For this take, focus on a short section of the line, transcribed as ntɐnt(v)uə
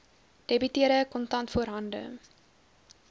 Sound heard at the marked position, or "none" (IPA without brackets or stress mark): f